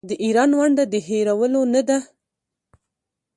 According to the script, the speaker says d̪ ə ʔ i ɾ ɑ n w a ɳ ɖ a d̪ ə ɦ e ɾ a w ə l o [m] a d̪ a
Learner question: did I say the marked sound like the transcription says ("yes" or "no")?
no